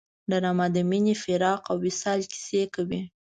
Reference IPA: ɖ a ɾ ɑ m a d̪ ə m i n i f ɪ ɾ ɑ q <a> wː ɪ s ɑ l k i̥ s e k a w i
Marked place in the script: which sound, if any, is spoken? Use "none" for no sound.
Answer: a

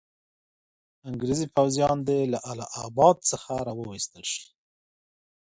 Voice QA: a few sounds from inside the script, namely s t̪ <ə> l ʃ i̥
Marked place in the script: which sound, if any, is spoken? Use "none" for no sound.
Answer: ə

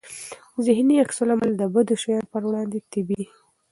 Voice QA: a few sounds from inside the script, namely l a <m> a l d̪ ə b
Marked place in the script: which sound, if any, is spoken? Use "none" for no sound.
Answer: m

